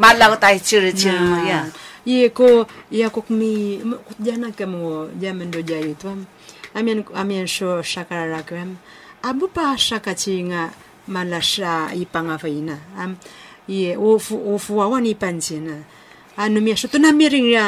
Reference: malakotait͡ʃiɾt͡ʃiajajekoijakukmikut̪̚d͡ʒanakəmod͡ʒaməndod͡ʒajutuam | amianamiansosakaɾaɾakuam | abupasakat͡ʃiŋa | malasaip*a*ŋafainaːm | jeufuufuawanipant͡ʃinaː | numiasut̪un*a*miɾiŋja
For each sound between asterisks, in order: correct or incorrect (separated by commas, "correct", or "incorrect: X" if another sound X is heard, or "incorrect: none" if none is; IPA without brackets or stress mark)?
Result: correct, correct